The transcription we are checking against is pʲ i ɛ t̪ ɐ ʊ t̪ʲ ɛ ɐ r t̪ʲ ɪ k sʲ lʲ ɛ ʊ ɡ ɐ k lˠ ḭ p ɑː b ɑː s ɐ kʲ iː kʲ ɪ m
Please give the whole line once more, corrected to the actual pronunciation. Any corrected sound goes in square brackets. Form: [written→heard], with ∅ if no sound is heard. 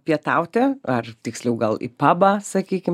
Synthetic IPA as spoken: pʲ i ɛ t̪ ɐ ʊ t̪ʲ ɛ ɐ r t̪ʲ ɪ k sʲ lʲ ɛ ʊ ɡ ɐ [k→∅] lˠ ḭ p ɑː b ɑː s ɐ kʲ iː kʲ ɪ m